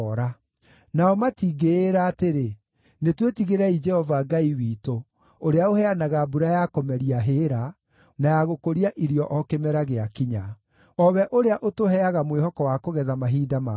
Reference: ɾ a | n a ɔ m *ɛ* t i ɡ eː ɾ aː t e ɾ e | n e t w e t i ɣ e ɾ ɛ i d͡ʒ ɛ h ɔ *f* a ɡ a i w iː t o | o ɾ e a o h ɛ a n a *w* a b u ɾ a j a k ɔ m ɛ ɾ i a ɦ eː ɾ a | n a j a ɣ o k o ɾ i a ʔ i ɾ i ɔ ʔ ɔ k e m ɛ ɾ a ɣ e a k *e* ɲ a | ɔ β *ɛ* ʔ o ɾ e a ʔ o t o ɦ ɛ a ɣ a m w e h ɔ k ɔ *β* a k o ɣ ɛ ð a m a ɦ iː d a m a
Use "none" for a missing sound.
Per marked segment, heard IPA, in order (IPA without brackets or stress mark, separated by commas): a, v, ɣ, i, ɛ, w